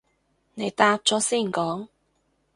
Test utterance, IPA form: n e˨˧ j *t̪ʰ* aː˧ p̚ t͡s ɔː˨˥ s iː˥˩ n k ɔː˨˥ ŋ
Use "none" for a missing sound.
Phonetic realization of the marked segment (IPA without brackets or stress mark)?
t̪